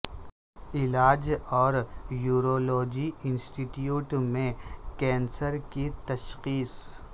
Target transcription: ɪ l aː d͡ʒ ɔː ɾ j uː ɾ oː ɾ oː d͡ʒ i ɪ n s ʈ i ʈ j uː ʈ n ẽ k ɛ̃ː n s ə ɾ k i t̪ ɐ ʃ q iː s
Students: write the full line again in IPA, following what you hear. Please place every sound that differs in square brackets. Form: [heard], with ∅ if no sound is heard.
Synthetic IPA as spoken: ɪ l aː d͡ʒ ɔː ɾ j uː ɾ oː [l] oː d͡ʒ i ɪ n s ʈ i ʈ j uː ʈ [m] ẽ k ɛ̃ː n s ə ɾ k i t̪ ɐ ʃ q iː s